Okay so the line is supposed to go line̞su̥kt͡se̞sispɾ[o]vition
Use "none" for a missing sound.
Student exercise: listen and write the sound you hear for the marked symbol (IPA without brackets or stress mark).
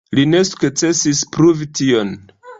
u